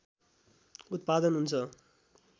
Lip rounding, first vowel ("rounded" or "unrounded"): rounded